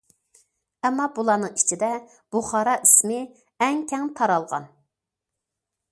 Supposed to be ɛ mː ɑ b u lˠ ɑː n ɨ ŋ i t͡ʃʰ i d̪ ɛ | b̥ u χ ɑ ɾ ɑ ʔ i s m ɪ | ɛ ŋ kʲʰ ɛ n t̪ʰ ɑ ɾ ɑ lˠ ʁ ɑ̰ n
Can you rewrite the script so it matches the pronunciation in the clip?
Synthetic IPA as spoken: ɛ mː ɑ b u lˠ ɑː n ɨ ŋ i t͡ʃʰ i d̪ ɛ | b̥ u χ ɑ ɾ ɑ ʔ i s m ɪ | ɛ ŋ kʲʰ ɛ ŋ t̪ʰ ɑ ɾ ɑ lˠ ʁ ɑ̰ n